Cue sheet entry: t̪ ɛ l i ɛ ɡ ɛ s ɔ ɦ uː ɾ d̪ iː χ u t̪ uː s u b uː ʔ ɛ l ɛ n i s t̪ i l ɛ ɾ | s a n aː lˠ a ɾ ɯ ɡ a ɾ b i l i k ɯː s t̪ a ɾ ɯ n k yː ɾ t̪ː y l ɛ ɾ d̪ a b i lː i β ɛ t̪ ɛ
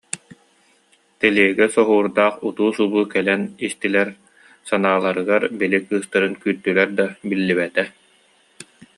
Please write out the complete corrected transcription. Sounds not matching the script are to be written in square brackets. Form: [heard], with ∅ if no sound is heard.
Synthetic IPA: t̪ ɛ l i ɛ ɡ ɛ s ɔ ɦ uː ɾ d̪ [aː] χ u t̪ uː s u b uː [k] ɛ l ɛ n i s t̪ i l ɛ ɾ | s a n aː lˠ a ɾ ɯ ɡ a ɾ b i l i k ɯː s t̪ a ɾ ɯ n k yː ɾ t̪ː y l ɛ ɾ d̪ a b i lː i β ɛ t̪ ɛ